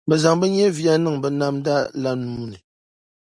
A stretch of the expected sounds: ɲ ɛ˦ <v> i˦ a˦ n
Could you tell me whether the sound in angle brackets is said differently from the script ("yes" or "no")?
no